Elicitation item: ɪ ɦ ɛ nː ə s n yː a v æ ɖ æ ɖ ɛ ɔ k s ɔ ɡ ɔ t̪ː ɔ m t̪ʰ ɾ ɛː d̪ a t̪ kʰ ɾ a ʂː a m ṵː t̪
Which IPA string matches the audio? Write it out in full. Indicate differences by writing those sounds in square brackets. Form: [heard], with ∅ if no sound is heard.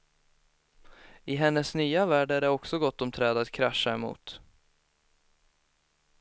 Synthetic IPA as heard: ɪ ɦ ɛ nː ə s n yː a v [æː] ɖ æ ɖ ɛ ɔ k s ɔ ɡ ɔ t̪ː ɔ m t̪ʰ ɾ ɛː d̪ a t̪ kʰ ɾ a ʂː a m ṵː t̪